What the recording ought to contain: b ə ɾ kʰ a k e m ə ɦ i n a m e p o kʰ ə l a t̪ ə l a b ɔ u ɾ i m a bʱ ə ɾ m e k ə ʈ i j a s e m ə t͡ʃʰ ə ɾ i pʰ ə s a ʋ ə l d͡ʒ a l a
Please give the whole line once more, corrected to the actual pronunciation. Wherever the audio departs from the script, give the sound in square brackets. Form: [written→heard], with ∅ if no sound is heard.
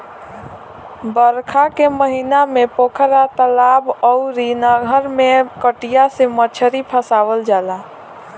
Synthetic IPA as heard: b ə ɾ kʰ a k e m ə ɦ i n a m e p o kʰ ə [l→ɾ] a t̪ ə l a b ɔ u ɾ i [m→n] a [bʱ→ɡʱ] ə ɾ m e k ə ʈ i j a s e m ə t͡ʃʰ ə ɾ i pʰ ə s a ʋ ə l d͡ʒ a l a